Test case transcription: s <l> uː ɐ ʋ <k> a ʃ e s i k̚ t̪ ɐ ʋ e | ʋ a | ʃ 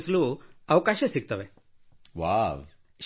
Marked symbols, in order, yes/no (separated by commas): yes, yes